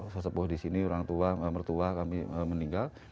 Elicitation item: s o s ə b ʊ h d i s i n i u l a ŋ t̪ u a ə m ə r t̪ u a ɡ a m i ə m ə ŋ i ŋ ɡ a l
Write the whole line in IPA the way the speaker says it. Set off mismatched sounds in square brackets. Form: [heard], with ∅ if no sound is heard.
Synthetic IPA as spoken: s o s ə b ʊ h d i s i n i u [ɾ] a ŋ t̪ u a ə m ə r t̪ u a [k] a m i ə m ə [n] i ŋ ɡ a l